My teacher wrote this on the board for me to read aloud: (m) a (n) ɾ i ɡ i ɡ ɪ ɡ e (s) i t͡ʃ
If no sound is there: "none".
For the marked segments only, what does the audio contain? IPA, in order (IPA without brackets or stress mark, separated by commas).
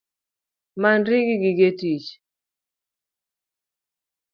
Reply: m, n, t